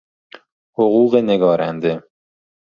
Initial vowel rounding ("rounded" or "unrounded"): rounded